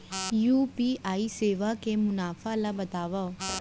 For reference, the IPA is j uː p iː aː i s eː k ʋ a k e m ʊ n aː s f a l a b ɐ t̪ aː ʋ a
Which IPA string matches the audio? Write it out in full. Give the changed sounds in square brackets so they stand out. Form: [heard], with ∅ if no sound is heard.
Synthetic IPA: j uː p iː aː i s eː [∅] ʋ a k e m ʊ n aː [∅] f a l a b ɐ t̪ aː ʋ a

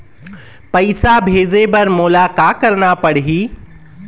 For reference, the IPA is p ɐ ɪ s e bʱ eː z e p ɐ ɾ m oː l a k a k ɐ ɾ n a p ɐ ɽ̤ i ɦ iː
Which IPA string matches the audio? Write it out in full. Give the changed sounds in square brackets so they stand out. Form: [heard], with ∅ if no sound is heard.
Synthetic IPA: p ɐ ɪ s [a] bʱ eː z e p ɐ ɾ m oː l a k a k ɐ ɾ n a p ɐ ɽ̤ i ɦ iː

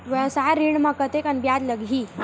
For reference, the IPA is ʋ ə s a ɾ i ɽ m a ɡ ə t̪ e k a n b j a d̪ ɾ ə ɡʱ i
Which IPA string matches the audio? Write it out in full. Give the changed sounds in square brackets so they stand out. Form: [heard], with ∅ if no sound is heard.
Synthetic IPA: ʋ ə s a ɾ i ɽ m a [k] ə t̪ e k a n b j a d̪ [l] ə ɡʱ i

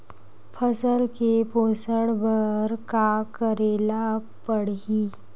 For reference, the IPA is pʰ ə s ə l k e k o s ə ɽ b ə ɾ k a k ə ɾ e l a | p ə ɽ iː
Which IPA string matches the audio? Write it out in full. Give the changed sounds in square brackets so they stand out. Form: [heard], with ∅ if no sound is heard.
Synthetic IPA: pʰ ə s ə l k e [p] o s ə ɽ b ə ɾ k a k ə ɾ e l a | p ə ɽ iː

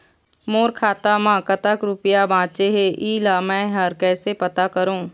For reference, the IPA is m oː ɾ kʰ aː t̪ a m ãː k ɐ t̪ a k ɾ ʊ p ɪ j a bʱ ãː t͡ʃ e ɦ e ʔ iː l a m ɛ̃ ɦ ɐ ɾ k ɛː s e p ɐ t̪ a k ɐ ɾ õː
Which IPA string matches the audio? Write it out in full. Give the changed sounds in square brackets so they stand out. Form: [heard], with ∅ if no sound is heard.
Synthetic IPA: m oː ɾ kʰ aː t̪ a m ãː k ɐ t̪ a k ɾ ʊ p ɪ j a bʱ ãː t͡ʃ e ɦ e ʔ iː l a m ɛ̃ ɦ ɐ ɾ k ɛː s e p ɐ t̪ a k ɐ ɾ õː

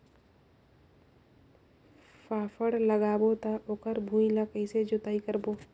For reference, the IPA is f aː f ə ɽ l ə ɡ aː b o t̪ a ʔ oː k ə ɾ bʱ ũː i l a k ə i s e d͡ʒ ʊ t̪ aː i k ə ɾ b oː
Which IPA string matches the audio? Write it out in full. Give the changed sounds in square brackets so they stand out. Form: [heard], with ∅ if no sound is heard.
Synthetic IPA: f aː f ə ɽ l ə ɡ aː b o t̪ a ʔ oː k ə ɾ bʱ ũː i l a k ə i s e d͡ʒ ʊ t̪ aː i k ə ɾ b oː

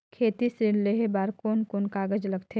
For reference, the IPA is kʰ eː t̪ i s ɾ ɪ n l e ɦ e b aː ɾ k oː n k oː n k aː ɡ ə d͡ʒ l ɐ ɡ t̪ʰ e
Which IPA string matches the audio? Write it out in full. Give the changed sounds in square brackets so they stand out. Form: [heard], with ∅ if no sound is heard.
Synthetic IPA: kʰ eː t̪ i s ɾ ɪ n l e ɦ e b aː ɾ k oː n k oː n k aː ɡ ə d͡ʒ l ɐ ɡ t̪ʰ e

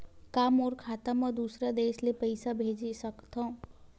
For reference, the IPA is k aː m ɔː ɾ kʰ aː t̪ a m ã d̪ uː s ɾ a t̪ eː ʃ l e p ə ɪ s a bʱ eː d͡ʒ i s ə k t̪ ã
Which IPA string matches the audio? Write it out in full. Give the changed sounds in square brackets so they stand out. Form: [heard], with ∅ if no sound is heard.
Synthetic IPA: k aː m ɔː ɾ kʰ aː t̪ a m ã d̪ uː s ɾ a [d̪] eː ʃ l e p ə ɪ s a bʱ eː d͡ʒ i s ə k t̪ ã

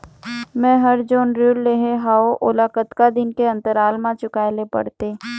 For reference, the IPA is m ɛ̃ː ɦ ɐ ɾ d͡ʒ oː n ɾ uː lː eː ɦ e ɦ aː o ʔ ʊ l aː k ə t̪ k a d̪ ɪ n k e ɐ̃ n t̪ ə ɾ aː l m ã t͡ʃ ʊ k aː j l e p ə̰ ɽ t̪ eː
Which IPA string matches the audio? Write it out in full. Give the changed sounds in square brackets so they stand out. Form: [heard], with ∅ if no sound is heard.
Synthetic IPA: m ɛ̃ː ɦ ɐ ɾ d͡ʒ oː n ɾ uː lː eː ɦ e ɦ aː o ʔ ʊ l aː k ə t̪ k a d̪ ɪ n k e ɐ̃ n t̪ ə ɾ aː l m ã t͡ʃ ʊ k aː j l e p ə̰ ɽ t̪ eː

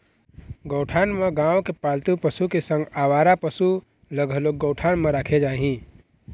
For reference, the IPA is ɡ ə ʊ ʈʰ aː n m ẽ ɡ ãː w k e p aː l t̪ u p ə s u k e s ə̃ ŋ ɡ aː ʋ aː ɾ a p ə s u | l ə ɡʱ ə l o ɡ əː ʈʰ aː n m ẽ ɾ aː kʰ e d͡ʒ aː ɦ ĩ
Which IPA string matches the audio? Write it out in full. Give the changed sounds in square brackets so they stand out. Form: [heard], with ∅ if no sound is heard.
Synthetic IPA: ɡ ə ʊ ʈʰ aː n m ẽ ɡ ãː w k e p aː l t̪ u p ə s u k e s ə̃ ŋ ɡ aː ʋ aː ɾ a p ə s u | l ə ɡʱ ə l o ɡ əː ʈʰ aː n m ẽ ɾ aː kʰ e d͡ʒ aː ɦ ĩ

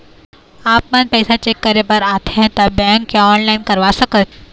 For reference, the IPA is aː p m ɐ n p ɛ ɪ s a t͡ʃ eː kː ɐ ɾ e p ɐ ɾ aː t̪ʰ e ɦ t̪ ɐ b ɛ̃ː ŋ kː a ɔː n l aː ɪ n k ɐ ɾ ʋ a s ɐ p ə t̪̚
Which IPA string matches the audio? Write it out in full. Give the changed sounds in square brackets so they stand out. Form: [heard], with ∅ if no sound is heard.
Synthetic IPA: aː p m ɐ n p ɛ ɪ s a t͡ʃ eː kː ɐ ɾ e p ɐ ɾ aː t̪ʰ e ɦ t̪ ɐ b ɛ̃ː ŋ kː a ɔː n l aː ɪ n k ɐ ɾ ʋ a s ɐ [k] ə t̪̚

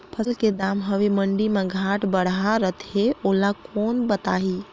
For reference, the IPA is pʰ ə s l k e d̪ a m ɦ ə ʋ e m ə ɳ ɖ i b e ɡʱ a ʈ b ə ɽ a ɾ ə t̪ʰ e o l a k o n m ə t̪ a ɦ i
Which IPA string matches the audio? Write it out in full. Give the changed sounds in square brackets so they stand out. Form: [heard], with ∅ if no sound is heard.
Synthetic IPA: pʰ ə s l k e d̪ a m ɦ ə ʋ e m ə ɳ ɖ i [m] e ɡʱ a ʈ b ə ɽ a ɾ ə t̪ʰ e o l a k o n [b] ə t̪ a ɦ i

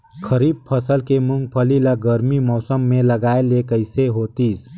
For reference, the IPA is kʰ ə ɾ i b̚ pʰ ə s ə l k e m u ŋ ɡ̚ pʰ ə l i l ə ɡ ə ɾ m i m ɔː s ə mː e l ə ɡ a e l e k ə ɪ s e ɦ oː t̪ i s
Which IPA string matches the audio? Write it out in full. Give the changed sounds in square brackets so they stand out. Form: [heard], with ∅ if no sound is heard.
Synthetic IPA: kʰ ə ɾ i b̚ pʰ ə s ə l k e m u ŋ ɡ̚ pʰ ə l i l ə ɡ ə ɾ m i m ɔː s ə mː e l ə ɡ a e l e k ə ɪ s e ɦ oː t̪ i s

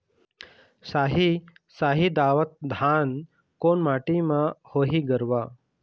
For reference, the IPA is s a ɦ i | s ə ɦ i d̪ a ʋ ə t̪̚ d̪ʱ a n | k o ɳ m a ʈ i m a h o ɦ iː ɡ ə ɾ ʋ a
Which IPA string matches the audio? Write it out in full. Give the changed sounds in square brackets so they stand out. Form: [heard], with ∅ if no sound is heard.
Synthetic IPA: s a ɦ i | s [a] ɦ i d̪ a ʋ ə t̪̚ d̪ʱ a n | k o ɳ m a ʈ i m a h o ɦ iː ɡ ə ɾ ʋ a

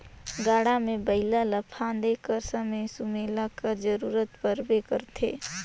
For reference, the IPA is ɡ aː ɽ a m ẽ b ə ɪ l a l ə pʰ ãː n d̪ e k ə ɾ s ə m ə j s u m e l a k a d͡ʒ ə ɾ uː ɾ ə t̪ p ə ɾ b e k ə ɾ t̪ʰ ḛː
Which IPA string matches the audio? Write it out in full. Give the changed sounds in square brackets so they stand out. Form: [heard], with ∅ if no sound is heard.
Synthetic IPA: ɡ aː ɽ a m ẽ b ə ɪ l a l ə pʰ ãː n d̪ e k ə ɾ s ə m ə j s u m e l a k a d͡ʒ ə ɾ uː ɾ ə t̪ p ə ɾ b e k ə ɾ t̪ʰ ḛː

